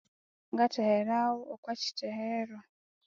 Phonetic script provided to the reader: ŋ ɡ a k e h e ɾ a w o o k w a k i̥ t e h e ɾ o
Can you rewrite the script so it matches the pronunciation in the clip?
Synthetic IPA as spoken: ŋ ɡ a t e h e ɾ a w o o k w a c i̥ t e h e ɾ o